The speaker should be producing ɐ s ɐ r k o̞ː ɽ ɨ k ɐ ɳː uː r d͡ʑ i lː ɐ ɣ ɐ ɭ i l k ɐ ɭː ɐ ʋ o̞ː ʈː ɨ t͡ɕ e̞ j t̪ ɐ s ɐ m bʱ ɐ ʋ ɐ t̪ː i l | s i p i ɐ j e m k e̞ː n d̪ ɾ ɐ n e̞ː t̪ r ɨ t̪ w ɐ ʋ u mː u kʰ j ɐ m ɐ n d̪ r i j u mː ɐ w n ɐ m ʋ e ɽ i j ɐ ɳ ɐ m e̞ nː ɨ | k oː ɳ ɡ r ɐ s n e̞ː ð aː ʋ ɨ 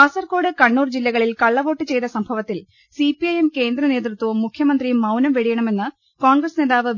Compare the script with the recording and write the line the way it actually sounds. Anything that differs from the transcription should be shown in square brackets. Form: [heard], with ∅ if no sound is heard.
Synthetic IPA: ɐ s ɐ r k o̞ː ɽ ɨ k ɐ ɳː uː r d͡ʑ i lː ɐ ɣ ɐ ɭ i l k ɐ ɭː ɐ ʋ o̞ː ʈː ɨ t͡ɕ e̞ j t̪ ɐ s ɐ m bʱ ɐ ʋ ɐ t̪ː i l | s i p i ɐ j e m k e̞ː n d̪ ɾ ɐ n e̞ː t̪ r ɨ t̪ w ɐ ʋ u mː u kʰ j ɐ m ɐ n d̪ r i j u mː ɐ w n ɐ m ʋ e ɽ i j ɐ ɳ ɐ m e̞ nː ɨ | k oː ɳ ɡ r ɐ s n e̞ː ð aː ʋ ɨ